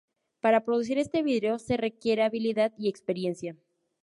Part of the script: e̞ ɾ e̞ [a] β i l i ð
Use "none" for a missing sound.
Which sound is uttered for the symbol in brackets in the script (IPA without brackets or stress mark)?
a